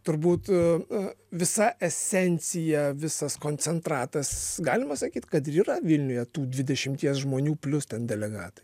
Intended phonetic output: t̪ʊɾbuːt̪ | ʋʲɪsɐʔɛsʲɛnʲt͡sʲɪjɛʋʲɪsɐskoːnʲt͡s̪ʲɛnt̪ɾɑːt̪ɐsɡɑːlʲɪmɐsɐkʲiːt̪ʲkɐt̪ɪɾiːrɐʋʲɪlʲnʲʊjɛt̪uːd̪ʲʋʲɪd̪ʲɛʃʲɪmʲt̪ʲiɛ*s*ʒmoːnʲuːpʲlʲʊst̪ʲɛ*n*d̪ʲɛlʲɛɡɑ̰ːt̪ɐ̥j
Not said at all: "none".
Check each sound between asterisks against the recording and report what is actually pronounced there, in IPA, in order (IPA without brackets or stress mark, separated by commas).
s, n